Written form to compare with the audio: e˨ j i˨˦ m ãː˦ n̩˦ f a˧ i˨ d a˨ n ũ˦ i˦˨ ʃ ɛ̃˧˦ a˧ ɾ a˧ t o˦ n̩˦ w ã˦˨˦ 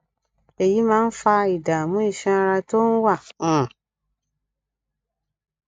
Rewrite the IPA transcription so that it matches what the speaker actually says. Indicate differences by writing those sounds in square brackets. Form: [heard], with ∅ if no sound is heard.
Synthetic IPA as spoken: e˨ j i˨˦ m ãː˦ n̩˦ f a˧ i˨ d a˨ [m] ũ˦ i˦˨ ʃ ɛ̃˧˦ a˧ ɾ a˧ t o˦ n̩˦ w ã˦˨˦